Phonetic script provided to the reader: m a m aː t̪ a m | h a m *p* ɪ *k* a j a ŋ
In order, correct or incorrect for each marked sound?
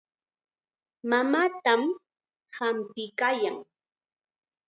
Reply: correct, correct

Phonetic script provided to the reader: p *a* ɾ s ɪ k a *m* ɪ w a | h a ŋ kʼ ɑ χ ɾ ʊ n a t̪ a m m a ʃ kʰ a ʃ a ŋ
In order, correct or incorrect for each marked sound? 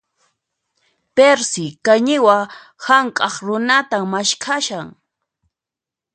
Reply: incorrect: e, incorrect: ɲ

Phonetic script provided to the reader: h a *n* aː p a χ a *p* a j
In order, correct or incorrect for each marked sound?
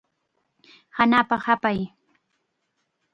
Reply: correct, correct

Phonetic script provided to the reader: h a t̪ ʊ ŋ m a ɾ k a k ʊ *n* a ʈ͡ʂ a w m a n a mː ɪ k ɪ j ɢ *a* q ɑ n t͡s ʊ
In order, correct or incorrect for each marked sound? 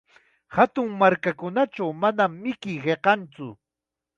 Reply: correct, incorrect: e

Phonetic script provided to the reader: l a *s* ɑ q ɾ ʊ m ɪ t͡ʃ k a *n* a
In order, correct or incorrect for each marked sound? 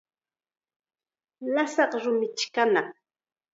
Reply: correct, correct

